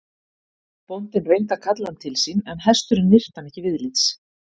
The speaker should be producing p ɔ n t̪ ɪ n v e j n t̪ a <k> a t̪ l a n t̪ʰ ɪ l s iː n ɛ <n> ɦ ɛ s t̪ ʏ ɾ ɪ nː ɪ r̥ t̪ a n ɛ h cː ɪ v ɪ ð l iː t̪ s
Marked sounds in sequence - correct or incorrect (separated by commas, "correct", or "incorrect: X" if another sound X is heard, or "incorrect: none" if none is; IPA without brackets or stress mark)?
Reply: incorrect: kʰ, correct